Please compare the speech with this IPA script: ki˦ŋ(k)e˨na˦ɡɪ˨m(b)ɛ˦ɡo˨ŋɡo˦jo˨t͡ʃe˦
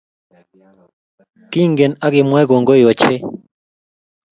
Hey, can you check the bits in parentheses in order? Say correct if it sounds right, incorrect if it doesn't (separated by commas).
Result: incorrect, incorrect